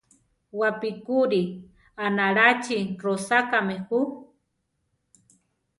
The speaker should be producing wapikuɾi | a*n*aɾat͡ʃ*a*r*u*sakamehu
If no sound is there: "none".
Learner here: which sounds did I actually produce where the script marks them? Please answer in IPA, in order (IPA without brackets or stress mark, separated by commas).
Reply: n, i, o